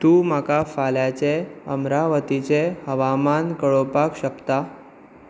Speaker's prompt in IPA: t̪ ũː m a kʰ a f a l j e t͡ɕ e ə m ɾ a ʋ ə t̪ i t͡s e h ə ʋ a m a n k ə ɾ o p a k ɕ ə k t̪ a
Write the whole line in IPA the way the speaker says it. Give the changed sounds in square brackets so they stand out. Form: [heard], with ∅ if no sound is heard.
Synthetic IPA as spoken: t̪ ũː m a [k] a f a l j [a] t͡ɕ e ə m ɾ a ʋ ə t̪ i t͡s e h ə ʋ a m a n k ə [ɭ] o p a k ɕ ə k t̪ a